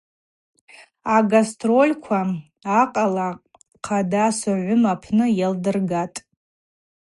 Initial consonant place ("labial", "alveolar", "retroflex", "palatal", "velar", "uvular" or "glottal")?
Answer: velar